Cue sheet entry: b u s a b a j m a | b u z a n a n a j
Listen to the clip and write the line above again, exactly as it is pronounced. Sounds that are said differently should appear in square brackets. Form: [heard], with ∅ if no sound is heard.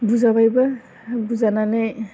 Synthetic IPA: b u [z] a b a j [b] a | b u z a n a n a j